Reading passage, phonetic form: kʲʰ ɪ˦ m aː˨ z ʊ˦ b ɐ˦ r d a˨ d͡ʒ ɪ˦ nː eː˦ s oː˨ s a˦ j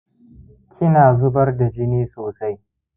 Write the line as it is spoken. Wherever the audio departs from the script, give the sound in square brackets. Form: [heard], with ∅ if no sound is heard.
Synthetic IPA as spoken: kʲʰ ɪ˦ [n] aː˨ z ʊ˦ b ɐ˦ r d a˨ d͡ʒ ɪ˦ [n] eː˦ s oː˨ s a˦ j